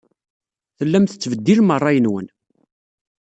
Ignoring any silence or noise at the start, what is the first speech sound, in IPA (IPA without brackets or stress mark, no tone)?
θ